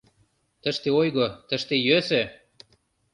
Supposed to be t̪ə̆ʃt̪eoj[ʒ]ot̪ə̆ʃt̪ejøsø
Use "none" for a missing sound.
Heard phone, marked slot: ɣ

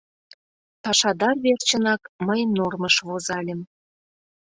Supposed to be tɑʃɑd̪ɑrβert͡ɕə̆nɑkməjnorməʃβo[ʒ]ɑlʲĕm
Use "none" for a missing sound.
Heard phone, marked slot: z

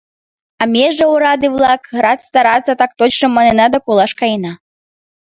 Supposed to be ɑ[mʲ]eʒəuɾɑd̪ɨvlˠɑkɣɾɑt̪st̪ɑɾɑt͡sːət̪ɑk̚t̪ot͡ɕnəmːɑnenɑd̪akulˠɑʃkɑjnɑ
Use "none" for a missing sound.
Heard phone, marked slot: mʲ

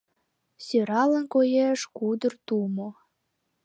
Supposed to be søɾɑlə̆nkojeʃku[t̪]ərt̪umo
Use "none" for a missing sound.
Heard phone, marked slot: d̪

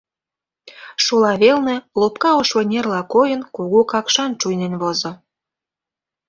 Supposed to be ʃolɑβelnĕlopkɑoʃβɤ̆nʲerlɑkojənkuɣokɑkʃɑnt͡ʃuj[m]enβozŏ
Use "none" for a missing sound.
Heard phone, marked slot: n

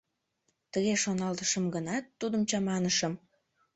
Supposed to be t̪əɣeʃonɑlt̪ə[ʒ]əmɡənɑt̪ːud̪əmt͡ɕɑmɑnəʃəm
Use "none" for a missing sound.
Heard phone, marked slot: ʃ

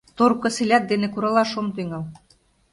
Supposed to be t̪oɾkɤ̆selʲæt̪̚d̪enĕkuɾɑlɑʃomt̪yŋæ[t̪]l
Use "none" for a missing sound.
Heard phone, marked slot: none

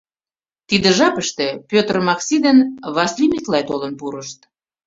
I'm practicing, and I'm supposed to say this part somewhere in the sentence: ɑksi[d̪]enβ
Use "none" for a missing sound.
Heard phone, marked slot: d̪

